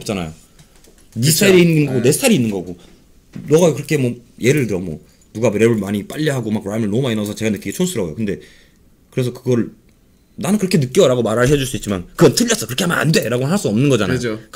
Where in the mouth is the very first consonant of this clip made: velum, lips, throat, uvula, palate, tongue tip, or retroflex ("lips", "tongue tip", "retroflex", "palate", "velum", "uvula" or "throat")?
lips